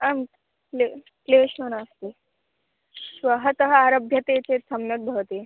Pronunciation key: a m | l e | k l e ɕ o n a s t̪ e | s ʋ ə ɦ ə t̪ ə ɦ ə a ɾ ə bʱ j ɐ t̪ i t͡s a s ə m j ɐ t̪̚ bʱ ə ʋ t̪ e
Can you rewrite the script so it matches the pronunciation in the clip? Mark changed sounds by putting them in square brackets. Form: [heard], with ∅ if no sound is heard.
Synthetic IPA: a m | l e | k l e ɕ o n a s t̪ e | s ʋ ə ɦ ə t̪ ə ɦ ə a ɾ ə bʱ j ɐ t̪ [e] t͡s [e] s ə m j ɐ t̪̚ bʱ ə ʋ t̪ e